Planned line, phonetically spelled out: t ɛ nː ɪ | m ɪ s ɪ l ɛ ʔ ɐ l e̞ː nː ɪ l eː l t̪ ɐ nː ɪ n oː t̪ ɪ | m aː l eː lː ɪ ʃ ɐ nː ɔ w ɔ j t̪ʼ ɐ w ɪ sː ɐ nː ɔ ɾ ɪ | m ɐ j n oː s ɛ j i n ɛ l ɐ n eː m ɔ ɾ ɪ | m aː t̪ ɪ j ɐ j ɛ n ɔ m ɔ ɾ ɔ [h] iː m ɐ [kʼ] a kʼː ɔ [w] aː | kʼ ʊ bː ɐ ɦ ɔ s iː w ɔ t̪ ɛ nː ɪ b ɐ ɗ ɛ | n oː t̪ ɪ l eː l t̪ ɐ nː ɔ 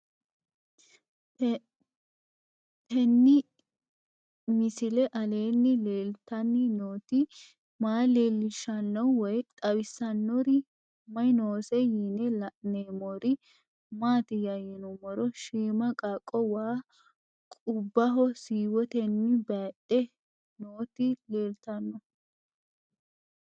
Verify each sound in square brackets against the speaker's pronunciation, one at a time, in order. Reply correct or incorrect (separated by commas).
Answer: incorrect, correct, correct